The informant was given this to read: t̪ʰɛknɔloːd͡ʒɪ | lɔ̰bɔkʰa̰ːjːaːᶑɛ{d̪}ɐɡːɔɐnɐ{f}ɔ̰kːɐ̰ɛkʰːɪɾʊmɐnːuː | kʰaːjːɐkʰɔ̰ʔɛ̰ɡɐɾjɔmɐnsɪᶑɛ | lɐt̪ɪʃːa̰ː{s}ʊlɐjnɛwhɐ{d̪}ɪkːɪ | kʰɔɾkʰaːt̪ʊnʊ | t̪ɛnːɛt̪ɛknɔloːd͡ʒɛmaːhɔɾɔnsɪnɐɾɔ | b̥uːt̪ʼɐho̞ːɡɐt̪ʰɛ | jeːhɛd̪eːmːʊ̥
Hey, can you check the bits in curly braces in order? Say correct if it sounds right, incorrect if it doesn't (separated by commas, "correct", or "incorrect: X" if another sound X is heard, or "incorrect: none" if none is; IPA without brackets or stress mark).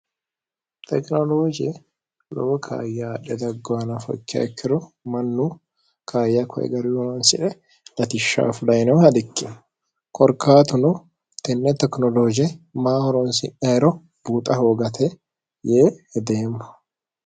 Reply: correct, correct, incorrect: f, correct